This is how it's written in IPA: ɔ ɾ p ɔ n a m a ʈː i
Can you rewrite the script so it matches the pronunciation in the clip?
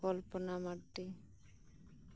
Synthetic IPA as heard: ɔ l p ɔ n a m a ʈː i